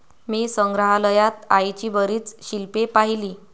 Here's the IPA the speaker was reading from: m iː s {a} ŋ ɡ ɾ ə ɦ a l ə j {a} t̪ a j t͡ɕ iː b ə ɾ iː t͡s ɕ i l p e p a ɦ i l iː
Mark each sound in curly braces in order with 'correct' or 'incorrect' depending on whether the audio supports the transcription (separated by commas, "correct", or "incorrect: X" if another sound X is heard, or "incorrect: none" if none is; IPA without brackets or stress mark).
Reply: incorrect: ə, correct